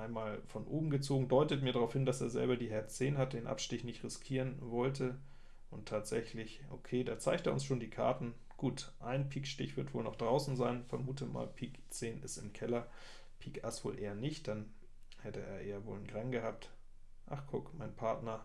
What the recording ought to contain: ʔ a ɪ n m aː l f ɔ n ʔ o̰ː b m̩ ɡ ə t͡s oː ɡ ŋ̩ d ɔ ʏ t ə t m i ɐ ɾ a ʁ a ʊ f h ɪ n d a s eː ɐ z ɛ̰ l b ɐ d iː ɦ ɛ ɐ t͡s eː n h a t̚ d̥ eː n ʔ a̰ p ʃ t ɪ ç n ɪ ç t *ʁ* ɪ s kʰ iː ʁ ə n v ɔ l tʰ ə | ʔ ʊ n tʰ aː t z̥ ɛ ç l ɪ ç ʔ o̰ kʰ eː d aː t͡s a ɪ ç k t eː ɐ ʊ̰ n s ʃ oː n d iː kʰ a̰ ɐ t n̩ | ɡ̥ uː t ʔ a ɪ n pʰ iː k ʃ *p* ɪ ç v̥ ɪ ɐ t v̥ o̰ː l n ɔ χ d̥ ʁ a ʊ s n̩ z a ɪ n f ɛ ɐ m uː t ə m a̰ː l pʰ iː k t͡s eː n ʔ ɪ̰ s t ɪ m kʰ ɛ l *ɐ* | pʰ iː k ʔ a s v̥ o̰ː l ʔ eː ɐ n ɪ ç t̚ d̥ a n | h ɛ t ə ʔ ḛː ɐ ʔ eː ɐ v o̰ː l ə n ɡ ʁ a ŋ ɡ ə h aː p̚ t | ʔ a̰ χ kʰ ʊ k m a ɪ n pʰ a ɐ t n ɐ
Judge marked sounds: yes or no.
yes, no, yes

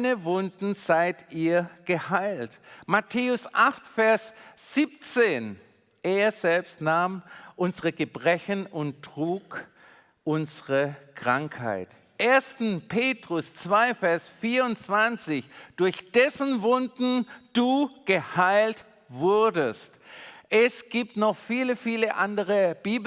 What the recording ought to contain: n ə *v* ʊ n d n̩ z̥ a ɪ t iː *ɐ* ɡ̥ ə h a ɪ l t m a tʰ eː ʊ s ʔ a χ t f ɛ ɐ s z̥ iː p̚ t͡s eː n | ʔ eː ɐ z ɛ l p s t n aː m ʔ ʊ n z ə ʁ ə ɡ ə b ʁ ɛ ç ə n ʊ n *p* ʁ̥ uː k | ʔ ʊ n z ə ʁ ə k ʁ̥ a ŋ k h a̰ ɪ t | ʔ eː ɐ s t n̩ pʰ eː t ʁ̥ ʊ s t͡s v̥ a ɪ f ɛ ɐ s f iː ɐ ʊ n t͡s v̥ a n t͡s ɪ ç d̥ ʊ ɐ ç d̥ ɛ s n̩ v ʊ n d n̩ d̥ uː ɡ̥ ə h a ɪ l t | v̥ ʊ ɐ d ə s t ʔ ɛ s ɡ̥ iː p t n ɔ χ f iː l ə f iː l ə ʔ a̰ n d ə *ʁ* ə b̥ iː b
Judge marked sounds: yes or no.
yes, yes, no, yes

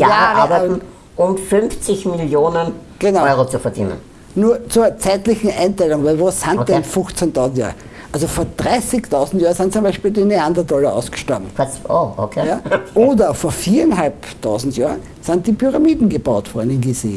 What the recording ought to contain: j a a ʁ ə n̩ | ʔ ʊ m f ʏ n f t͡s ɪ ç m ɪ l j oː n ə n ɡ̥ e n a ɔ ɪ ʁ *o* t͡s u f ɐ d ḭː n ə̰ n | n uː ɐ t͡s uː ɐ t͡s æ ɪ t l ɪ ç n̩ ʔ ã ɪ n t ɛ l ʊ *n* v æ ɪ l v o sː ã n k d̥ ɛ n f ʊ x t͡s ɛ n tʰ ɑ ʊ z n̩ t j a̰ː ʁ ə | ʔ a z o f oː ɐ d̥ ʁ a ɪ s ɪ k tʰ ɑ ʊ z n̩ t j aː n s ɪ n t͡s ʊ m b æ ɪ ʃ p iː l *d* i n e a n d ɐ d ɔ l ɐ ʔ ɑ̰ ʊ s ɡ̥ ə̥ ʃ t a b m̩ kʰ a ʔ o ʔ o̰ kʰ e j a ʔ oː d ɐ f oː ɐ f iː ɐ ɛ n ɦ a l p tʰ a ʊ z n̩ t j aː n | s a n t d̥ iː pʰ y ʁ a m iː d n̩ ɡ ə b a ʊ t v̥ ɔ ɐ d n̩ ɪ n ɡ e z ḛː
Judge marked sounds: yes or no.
yes, no, yes

